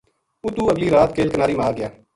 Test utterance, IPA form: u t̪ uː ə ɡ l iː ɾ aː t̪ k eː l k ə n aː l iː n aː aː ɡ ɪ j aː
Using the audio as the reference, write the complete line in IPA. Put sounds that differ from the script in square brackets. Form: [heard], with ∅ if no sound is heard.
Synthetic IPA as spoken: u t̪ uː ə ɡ l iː ɾ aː t̪ k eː l k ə n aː [ɾ] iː [m] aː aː ɡ ɪ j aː

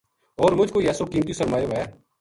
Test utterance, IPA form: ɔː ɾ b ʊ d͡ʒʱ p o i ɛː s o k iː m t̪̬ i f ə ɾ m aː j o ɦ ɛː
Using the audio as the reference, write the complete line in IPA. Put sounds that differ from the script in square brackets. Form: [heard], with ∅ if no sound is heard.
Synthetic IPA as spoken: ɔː ɾ [m] ʊ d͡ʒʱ [k] o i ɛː s o k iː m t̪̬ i [s] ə ɾ m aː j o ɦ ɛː

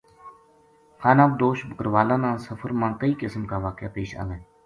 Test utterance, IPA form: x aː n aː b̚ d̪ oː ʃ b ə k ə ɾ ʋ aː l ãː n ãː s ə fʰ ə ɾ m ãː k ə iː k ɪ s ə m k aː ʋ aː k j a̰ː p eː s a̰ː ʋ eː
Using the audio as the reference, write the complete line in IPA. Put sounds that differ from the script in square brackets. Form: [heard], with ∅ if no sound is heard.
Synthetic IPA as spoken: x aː n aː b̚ d̪ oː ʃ b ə k ə ɾ ʋ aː l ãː n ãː s ə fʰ ə ɾ m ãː k ə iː k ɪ s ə m k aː ʋ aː k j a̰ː p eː [ʃ] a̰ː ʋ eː

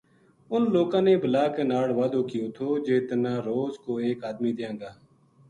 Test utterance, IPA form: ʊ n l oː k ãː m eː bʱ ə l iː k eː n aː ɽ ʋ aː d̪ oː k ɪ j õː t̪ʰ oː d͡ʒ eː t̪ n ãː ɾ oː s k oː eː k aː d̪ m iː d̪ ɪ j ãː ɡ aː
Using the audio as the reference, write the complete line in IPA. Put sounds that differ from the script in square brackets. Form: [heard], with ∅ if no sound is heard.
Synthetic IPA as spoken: ʊ n l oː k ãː [n] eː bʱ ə l [aː] k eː n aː ɽ ʋ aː d̪ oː k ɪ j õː t̪ʰ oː d͡ʒ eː t̪ n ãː ɾ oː [z] k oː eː k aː d̪ m iː d̪ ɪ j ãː ɡ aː

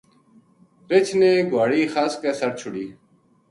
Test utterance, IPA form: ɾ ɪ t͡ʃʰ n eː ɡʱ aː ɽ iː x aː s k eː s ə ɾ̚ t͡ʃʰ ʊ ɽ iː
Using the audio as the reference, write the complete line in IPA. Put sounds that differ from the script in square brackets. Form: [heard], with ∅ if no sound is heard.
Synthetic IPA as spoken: ɾ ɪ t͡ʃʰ n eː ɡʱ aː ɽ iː x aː s k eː s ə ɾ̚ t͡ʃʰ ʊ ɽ iː

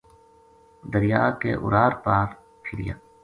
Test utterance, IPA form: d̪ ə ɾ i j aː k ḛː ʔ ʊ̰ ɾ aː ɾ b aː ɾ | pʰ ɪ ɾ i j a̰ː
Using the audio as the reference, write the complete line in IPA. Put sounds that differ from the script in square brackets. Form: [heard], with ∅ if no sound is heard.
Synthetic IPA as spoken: d̪ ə ɾ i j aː k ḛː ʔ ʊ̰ ɾ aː ɾ [p] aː ɾ | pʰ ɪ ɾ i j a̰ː

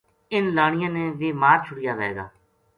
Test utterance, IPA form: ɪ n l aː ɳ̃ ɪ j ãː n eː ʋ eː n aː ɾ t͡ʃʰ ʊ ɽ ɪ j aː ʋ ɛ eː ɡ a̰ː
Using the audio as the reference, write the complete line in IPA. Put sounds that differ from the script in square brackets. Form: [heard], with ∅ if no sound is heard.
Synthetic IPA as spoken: ɪ n l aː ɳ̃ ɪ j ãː n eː ʋ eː [m] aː ɾ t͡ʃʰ ʊ ɽ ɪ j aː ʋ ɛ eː ɡ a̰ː

